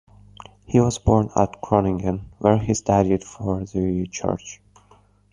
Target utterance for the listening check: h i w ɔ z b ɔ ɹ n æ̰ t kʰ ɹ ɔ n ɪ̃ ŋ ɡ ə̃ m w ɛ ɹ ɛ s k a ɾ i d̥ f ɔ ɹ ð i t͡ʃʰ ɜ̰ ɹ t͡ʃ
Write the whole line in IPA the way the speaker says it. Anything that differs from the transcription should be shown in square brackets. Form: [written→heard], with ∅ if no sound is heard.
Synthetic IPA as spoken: h i w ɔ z b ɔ ɹ n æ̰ t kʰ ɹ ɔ n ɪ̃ ŋ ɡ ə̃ [m→n] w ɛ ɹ [ɛ→i] s [k→t] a ɾ i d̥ f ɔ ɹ ð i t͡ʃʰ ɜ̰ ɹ t͡ʃ